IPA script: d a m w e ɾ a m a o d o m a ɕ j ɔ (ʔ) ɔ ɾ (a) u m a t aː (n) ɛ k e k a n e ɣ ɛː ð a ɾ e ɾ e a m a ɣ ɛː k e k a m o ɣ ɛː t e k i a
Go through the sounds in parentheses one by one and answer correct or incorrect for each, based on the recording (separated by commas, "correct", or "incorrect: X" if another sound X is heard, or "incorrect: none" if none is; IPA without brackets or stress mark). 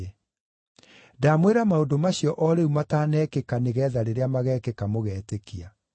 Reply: correct, incorrect: e, correct